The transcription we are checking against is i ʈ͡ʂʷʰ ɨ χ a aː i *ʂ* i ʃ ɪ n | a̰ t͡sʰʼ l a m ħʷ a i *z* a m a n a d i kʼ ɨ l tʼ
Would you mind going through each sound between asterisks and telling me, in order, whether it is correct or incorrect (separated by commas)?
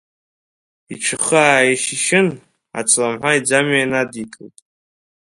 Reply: incorrect, incorrect